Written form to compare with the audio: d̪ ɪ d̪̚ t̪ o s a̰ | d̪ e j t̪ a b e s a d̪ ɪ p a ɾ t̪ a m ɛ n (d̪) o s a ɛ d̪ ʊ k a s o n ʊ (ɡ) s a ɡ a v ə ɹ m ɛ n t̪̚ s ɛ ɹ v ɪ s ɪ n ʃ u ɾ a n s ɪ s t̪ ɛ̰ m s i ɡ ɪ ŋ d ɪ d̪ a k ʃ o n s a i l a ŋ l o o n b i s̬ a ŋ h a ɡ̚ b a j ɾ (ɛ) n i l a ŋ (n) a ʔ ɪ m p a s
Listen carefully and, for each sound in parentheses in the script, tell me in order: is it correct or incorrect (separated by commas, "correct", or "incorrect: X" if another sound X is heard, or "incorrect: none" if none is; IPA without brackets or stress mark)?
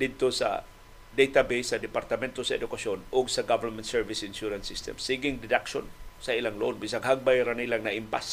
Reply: incorrect: t̪, correct, incorrect: a, correct